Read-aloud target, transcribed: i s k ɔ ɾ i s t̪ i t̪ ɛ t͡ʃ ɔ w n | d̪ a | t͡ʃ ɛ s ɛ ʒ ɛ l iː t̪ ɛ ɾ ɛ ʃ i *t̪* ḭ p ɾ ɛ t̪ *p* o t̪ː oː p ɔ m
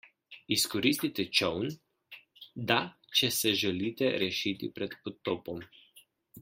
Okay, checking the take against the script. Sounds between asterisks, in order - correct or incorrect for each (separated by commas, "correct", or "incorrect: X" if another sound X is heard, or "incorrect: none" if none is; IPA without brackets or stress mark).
correct, correct